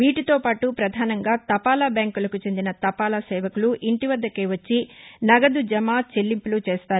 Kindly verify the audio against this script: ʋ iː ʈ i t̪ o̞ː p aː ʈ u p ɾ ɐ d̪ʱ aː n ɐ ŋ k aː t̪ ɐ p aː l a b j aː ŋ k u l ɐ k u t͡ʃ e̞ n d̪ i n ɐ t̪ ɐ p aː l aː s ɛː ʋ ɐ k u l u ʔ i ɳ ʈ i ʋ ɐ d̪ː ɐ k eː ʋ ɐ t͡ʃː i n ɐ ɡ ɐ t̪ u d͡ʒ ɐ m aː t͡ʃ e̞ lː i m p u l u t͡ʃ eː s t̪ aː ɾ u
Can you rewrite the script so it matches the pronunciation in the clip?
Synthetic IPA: ʋ iː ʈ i t̪ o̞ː p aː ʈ u p ɾ ɐ d̪ʱ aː n ɐ ŋ ɡ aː t̪ ɐ p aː l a b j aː ŋ k u l ɐ k u t͡ʃ e̞ n d̪ i n ɐ t̪ ɐ p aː l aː s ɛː ʋ ɐ k u l u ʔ i ɳ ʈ i ʋ ɐ d̪ː ɐ k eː ʋ ɐ t͡ʃː i n ɐ ɡ ɐ d̪ u d͡ʒ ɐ m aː t͡ʃ e̞ lː i m p u l u t͡ʃ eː s t̪ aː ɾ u